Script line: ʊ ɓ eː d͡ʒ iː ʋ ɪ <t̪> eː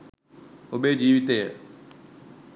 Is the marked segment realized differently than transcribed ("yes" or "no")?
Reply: no